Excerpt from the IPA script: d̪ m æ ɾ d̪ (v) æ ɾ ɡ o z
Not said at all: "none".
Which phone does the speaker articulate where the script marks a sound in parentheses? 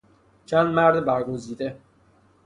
b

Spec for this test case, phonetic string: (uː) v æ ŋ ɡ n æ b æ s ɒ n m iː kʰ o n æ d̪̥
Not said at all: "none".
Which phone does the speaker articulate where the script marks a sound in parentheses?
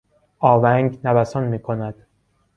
ɒː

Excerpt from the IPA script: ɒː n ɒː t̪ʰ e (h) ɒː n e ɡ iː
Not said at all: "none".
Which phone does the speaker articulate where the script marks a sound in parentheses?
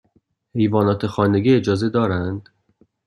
x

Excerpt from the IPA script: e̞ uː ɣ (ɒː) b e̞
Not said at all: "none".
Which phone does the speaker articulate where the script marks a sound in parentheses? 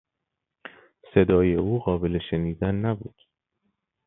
ɒː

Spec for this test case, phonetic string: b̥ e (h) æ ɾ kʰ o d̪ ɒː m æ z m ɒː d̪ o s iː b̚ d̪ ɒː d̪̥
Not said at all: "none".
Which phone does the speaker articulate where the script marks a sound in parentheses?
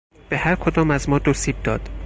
h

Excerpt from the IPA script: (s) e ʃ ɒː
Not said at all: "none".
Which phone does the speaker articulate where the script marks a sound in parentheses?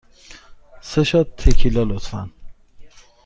s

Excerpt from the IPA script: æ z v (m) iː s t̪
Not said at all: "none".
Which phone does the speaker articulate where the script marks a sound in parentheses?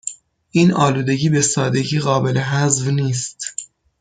n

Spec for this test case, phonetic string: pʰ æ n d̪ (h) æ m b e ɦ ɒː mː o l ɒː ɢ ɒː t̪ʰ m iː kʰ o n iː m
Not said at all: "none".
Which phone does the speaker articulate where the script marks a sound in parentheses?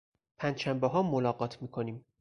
ʃ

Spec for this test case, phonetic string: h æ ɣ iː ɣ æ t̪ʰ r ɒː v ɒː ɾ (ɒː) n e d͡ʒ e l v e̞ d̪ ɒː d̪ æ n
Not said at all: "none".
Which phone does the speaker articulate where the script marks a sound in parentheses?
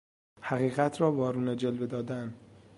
uː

